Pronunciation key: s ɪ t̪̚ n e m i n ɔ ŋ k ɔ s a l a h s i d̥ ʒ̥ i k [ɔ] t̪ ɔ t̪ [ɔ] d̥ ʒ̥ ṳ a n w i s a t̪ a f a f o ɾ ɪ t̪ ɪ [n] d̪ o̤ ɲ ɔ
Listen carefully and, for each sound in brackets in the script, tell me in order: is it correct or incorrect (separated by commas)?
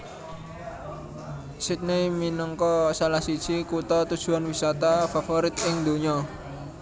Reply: incorrect, incorrect, incorrect